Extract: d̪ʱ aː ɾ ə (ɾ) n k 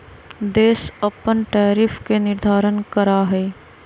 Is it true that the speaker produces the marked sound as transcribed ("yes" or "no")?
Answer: no